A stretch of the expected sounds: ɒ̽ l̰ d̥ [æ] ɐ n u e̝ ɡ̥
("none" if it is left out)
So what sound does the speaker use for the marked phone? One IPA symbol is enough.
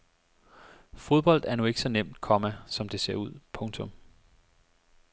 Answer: æ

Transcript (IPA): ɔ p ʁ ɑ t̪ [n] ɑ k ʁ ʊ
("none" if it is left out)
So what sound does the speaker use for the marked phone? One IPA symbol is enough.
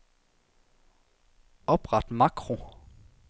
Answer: m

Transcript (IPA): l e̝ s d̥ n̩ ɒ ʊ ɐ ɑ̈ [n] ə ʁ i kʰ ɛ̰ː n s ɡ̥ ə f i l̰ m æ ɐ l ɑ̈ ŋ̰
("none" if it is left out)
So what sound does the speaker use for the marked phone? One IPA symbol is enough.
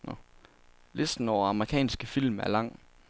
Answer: m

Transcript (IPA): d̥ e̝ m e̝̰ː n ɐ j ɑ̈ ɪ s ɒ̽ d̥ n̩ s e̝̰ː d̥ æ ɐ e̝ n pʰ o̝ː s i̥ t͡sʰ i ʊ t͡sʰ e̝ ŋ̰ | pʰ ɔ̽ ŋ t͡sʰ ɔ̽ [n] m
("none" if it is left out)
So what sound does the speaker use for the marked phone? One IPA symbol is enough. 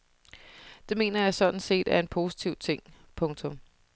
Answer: none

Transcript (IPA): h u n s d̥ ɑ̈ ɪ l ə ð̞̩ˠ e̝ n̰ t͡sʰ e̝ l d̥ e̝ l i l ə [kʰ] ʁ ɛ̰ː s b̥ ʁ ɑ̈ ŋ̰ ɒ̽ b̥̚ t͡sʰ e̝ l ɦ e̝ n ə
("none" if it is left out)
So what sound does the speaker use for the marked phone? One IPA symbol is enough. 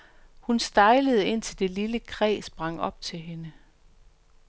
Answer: kʰ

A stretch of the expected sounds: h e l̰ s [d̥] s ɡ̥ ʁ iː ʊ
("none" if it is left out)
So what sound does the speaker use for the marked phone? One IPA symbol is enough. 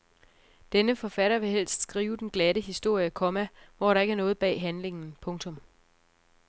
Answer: d̥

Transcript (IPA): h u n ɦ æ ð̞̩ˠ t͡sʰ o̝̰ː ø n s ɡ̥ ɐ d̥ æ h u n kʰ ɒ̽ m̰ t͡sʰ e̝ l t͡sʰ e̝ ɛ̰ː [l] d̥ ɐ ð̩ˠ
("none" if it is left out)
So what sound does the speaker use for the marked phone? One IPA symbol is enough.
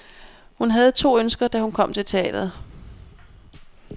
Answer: none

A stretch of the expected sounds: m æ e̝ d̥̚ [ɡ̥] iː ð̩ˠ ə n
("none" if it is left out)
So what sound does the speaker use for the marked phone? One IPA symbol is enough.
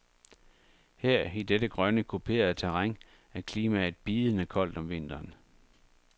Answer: b̥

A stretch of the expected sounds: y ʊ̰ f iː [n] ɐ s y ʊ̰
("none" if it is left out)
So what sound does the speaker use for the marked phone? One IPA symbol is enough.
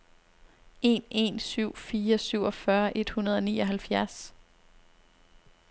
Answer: none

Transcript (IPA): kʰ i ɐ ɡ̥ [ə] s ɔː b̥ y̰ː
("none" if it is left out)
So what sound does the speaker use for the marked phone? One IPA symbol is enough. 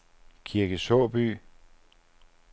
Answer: ə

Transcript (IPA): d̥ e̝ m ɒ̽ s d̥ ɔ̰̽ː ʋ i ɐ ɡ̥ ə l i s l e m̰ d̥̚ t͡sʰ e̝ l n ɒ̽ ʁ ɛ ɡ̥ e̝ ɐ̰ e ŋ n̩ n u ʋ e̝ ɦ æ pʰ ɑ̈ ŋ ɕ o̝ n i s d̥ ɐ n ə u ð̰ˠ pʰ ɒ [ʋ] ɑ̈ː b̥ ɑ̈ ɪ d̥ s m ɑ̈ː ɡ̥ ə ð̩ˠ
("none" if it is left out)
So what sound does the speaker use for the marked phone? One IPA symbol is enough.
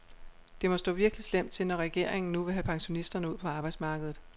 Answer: none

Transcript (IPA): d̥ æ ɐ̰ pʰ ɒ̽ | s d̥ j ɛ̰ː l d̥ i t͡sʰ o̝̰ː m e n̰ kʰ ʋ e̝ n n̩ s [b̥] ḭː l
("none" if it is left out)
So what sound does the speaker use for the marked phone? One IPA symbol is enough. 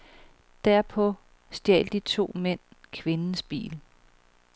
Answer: b̥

